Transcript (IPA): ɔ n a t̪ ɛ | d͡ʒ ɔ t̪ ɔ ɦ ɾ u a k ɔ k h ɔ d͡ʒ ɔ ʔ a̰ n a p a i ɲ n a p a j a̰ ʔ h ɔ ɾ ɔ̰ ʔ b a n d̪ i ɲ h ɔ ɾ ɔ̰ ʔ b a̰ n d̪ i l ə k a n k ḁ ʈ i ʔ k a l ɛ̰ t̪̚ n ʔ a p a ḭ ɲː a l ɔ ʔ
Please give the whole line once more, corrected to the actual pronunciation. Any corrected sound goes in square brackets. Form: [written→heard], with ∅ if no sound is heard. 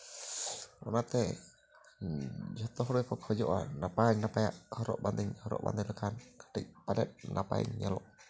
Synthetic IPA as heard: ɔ n a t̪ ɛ | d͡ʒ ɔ t̪ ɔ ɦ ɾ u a k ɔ k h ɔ d͡ʒ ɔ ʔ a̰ n a p a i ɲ n a p a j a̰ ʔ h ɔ ɾ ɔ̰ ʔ b a n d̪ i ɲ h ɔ ɾ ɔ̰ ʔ b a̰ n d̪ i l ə k a n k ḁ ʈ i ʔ [k→p] a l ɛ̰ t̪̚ n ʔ a p a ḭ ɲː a l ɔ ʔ